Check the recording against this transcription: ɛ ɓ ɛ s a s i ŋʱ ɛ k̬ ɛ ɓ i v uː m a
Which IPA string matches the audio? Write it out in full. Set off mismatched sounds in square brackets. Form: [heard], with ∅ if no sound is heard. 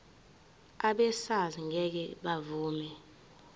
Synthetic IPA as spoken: [a] ɓ ɛ s a [z] i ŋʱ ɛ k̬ ɛ ɓ [a] v uː m [ɛ]